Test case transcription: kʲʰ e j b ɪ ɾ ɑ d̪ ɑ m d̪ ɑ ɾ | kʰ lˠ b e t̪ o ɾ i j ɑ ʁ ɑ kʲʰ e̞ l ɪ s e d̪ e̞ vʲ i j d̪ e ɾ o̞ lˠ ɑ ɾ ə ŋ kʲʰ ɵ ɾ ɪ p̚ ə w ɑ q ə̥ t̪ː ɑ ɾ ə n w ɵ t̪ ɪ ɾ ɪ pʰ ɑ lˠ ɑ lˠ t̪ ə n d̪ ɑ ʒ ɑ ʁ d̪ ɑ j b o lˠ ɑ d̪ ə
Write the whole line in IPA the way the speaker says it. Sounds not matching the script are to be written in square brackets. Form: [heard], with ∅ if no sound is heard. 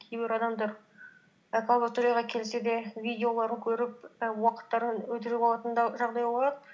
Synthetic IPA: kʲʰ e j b ɪ ɾ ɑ d̪ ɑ m d̪ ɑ ɾ | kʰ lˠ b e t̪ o ɾ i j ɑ ʁ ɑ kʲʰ e̞ l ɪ s e d̪ e̞ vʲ i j d̪ e [∅] o̞ lˠ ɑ ɾ ə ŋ kʲʰ ɵ ɾ ɪ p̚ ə w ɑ q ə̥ t̪ː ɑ ɾ ə n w ɵ t̪ ɪ ɾ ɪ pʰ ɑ lˠ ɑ [∅] t̪ ə n d̪ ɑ ʒ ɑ ʁ d̪ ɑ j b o lˠ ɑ d̪ ə

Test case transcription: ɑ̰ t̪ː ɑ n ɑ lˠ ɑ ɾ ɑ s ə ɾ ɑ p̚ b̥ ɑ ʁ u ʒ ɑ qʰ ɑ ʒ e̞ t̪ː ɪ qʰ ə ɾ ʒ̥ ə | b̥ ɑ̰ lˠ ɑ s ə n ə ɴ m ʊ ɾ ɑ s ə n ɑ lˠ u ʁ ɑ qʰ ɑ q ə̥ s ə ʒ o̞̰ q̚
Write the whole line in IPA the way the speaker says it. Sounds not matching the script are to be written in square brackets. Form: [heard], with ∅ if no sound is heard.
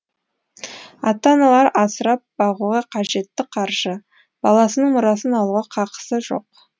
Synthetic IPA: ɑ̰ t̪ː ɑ n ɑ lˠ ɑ ɾ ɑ s ə ɾ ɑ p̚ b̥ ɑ ʁ u [ʁ] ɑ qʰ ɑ ʒ e̞ t̪ː ɪ qʰ [ɑ] ɾ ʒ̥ ə | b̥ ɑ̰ lˠ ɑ s ə n ə ɴ m ʊ ɾ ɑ s ə n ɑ lˠ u ʁ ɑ qʰ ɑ q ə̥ s ə ʒ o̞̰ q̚

